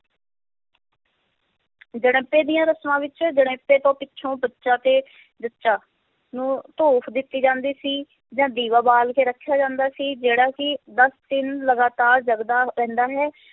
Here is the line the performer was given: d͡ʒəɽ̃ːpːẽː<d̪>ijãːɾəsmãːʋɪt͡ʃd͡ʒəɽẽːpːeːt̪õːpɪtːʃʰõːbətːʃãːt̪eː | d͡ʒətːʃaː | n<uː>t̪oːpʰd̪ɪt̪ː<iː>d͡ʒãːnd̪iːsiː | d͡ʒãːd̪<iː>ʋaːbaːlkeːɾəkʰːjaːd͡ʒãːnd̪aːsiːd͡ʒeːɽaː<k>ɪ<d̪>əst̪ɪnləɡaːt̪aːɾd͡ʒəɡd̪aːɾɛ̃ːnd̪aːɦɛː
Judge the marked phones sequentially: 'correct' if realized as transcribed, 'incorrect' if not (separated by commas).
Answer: correct, incorrect, correct, correct, correct, correct